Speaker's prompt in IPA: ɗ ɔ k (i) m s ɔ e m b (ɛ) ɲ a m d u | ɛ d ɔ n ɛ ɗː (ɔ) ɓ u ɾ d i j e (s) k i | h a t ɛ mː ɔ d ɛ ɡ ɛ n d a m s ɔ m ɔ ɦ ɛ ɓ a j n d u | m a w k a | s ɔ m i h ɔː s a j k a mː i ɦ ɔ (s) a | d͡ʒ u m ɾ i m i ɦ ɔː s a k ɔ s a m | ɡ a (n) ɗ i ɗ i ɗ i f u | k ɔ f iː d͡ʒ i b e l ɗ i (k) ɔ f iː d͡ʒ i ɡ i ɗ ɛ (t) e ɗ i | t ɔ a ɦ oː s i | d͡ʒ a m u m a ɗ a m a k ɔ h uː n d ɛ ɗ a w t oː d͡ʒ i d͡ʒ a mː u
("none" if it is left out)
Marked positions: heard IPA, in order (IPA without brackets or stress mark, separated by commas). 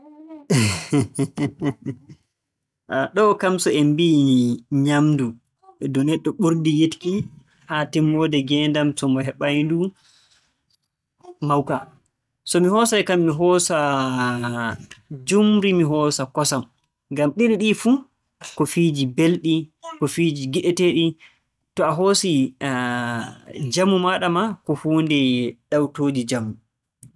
a, i, ɔ, t, s, m, k, t